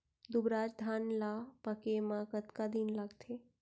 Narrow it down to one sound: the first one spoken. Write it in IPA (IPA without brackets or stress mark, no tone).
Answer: d̪